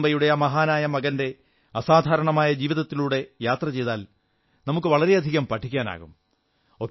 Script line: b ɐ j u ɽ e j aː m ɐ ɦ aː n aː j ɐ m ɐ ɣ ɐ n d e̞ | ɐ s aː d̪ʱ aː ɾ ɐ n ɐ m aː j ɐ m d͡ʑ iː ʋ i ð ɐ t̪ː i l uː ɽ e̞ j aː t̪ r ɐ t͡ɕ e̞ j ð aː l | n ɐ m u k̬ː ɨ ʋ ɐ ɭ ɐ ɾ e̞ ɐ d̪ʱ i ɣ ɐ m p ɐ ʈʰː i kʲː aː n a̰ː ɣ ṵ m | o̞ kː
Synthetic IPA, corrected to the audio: b ɐ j u ɽ e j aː m ɐ ɦ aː n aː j ɐ m ɐ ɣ ɐ n d e̞ | ɐ s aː d̪ʱ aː ɾ ɐ ɳ ɐ m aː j ɐ d͡ʑ iː ʋ i ð ɐ t̪ː i l uː ɽ e̞ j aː t̪ r ɐ t͡ɕ e̞ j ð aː l | n ɐ m u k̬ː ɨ ʋ ɐ ɭ ɐ ɾ e̞ ɐ d̪ʱ i ɣ ɐ m p ɐ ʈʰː i kʲː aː n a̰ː ɣ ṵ m | o̞ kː